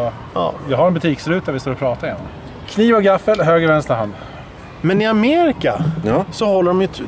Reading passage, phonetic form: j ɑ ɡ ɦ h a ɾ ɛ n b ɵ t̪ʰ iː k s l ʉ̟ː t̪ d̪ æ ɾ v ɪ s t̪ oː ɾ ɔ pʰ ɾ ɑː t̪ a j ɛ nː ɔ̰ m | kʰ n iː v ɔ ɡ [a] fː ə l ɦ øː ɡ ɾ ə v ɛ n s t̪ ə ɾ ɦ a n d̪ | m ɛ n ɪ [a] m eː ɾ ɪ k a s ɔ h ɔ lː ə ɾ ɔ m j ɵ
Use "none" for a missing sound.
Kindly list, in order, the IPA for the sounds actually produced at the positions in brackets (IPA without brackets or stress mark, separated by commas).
a, a